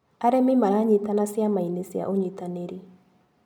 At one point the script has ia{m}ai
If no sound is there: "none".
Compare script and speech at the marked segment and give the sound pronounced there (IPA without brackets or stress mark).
m